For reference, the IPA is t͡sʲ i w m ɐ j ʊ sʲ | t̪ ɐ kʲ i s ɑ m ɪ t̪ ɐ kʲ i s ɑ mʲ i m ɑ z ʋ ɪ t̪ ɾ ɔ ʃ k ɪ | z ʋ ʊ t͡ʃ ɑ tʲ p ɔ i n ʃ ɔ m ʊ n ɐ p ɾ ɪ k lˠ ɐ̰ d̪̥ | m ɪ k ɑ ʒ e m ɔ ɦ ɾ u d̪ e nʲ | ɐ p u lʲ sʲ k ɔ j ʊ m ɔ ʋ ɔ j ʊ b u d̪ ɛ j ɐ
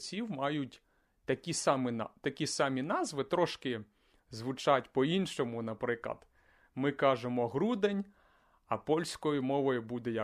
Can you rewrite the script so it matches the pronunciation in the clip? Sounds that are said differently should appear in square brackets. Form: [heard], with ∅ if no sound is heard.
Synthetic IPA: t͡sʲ i w m [ɑ] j ʊ [tʲ] | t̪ ɐ kʲ i s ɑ m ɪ t̪ ɐ kʲ i s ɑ mʲ i [n] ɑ z ʋ ɪ t̪ ɾ ɔ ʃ k ɪ | z ʋ ʊ t͡ʃ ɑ tʲ p ɔ i n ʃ ɔ m ʊ n ɐ p ɾ ɪ k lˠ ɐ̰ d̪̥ | m ɪ k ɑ ʒ e m ɔ ɦ ɾ u d̪ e nʲ | ɐ p [ɔ] lʲ sʲ k ɔ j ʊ m ɔ ʋ ɔ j ʊ b u d̪ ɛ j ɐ